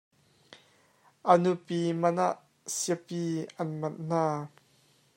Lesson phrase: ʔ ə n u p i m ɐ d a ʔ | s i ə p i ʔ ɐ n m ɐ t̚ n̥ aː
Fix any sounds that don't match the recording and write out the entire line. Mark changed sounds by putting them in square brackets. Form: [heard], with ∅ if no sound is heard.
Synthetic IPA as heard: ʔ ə n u p i m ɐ [n] a ʔ | s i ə p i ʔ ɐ n m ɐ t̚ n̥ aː